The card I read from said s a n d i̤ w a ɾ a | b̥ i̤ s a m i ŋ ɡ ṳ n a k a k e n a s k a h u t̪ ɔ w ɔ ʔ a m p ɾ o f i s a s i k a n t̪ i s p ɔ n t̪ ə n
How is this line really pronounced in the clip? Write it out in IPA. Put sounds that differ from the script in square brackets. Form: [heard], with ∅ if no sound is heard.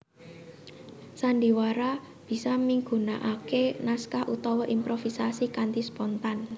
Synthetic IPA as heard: s a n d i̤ w a ɾ a | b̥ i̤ s a m i ŋ ɡ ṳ n a [ʔ] a k e n a s k a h u t̪ ɔ w ɔ ʔ [i] m p ɾ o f i s a s i k a n t̪ i s p ɔ n t̪ [a] n